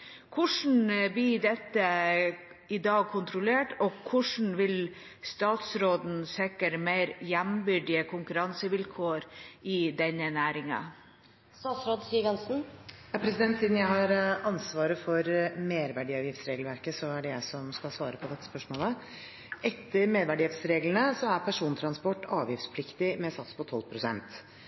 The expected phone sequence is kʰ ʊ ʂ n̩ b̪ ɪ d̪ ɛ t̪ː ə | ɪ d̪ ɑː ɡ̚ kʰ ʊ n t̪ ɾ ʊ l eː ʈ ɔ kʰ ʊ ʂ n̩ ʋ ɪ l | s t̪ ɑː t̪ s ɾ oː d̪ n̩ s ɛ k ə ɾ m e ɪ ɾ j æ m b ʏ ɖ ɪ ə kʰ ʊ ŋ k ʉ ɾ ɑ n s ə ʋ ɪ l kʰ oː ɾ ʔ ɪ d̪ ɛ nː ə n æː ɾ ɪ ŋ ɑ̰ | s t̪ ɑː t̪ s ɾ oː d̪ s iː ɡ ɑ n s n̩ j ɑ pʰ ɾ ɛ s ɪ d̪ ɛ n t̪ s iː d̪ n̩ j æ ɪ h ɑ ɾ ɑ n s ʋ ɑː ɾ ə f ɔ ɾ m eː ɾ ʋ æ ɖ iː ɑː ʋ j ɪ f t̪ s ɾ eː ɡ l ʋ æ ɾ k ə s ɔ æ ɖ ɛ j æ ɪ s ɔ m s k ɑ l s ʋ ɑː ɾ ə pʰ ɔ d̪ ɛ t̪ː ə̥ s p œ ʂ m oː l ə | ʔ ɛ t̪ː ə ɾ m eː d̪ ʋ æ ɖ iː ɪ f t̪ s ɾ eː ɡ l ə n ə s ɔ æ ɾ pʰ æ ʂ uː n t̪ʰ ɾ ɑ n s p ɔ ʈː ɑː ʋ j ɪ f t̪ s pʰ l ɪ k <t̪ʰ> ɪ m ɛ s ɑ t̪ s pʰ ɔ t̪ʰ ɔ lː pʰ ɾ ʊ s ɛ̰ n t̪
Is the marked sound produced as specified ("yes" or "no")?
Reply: no